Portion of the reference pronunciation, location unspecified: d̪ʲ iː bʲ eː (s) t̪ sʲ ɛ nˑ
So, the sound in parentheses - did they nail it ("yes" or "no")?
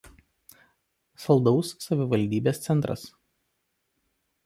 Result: yes